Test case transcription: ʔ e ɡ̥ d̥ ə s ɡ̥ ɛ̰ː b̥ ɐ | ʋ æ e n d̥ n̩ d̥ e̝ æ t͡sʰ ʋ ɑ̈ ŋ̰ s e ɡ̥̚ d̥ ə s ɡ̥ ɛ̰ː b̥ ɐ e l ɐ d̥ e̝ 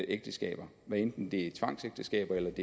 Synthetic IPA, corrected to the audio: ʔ e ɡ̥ d̥ ə s ɡ̥ ɛ̰ː b̥ ɐ | ʋ æ e n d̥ n̩ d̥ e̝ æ t͡sʰ ʋ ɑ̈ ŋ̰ s e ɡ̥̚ d̥ ə s ɡ̥ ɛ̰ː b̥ ɐ e l ɐ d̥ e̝